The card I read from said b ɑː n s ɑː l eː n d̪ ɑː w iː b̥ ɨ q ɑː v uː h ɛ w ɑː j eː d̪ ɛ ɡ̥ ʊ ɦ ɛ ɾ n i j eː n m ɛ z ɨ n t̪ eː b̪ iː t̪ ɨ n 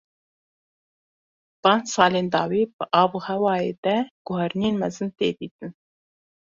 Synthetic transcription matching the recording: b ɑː n s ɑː l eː n d̪ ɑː w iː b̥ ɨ ʔ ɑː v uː h ɛ w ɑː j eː d̪ ɛ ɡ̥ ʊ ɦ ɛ ɾ n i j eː n m ɛ z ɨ n t̪ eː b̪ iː t̪ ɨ n